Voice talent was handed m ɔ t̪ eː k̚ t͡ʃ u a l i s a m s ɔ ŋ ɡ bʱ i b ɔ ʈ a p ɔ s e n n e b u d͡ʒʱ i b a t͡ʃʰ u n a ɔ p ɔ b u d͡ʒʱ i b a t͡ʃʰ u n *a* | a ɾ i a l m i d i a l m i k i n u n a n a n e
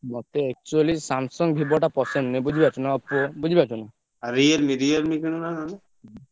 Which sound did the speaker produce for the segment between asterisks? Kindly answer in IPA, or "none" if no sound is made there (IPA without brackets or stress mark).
a